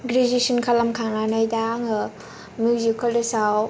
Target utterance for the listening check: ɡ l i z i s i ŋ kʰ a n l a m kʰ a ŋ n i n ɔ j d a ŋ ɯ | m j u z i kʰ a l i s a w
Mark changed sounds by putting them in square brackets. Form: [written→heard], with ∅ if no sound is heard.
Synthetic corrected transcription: ɡ [l→ɾ] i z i s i [ŋ→n] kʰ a [n→∅] l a m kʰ a ŋ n [i→a] n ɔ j d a ŋ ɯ | m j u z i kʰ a l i s a w